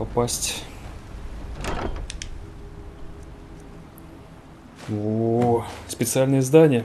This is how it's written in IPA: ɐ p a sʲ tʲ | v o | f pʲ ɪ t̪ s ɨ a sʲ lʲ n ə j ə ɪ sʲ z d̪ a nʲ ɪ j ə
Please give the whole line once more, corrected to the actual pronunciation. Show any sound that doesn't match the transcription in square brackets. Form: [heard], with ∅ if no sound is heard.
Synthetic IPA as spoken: ɐ p a sʲ tʲ | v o | [s] pʲ ɪ t̪ s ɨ a [∅] lʲ n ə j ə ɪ [∅] z d̪ a nʲ ɪ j ə